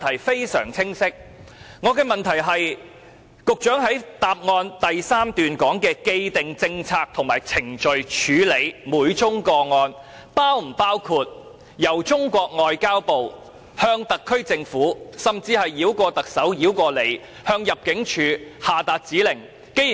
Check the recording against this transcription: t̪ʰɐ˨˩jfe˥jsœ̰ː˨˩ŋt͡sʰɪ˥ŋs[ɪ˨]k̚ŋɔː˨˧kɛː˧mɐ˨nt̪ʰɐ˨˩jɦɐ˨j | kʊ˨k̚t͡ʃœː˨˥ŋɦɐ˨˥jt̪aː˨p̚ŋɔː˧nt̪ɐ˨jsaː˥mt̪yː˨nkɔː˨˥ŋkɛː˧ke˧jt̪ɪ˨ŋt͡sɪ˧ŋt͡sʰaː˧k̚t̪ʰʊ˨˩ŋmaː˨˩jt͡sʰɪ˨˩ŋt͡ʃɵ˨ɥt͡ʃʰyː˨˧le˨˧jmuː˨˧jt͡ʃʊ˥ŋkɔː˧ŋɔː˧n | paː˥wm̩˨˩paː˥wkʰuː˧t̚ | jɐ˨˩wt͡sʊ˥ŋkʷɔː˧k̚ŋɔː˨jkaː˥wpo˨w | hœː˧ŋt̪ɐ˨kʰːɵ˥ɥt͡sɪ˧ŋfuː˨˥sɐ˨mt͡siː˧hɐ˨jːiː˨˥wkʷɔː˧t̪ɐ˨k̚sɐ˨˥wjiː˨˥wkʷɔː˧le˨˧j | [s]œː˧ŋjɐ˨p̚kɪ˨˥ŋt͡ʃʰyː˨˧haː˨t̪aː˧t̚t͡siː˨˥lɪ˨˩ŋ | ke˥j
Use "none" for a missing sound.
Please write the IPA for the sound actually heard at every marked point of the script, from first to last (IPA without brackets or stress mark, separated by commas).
ɪ˥, h